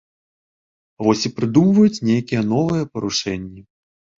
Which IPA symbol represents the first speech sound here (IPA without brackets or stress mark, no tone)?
v